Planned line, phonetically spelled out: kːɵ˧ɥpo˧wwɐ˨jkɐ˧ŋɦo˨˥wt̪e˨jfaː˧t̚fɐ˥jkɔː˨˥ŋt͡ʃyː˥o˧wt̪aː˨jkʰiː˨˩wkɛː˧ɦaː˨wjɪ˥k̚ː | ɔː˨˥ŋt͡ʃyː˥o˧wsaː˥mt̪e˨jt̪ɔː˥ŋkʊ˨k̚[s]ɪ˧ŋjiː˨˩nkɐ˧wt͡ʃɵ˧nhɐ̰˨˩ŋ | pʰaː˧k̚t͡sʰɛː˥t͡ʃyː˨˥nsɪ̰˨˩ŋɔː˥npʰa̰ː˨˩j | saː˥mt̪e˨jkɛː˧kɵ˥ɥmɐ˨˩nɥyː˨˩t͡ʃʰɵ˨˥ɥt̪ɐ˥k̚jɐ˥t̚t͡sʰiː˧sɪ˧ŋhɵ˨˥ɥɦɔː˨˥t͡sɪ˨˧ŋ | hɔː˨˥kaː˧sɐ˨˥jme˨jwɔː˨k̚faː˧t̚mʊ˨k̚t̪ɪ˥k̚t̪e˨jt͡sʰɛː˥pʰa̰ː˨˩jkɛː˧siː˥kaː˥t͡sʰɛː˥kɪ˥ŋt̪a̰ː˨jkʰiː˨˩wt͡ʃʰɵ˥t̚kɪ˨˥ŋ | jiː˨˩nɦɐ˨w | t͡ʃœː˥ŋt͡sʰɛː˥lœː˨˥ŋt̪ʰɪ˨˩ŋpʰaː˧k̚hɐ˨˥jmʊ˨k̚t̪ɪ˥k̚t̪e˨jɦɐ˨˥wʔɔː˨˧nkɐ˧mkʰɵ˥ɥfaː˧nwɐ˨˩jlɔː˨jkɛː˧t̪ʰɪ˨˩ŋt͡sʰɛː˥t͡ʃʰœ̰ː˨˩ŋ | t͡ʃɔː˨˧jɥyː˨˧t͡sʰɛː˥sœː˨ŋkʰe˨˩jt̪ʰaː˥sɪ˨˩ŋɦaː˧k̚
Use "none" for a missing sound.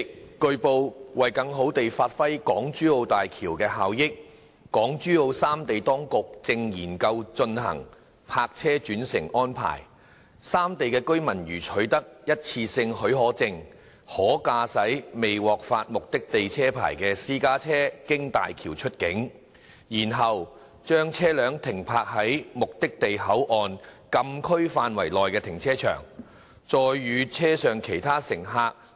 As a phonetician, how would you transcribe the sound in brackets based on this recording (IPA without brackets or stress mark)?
t͡s